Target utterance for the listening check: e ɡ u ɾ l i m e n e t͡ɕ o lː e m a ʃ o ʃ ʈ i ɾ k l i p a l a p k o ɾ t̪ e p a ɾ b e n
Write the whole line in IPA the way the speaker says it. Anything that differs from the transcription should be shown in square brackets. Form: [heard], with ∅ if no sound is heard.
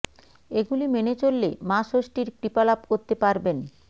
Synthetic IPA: e ɡ u [∅] l i m e n e t͡ɕ o lː e m a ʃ o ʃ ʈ i ɾ k [ɾ] i p a l a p k o ɾ t̪ e p a ɾ b e n